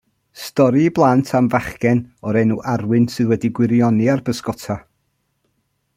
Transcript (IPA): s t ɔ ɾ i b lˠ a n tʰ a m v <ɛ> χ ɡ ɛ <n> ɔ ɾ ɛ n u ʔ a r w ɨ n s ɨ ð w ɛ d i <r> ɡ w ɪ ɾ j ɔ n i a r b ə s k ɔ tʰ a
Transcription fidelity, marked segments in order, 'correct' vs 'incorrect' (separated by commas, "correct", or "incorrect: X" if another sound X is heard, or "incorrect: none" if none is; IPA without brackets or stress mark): incorrect: a, correct, incorrect: none